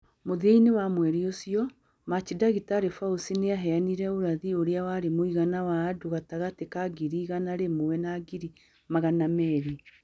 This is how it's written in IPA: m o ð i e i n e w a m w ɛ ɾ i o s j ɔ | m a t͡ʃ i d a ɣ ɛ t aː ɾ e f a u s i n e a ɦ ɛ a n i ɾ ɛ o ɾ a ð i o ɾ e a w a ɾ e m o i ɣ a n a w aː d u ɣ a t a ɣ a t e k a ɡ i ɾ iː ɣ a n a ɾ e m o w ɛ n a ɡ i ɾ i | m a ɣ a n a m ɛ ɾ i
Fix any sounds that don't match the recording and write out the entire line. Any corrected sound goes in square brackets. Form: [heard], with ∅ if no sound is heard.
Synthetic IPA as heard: m o ð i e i n e w a m w ɛ ɾ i o s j ɔ | m a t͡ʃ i d a ɣ [i] t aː ɾ e f a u s i n e a ɦ ɛ a n i ɾ ɛ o ɾ a ð i o ɾ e a w a ɾ e m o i ɣ a n a w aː d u ɣ a t a ɣ a t e k a ɡ i ɾ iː ɣ a n a ɾ e m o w ɛ n a ɡ i ɾ i | m a ɣ a n a m ɛ ɾ i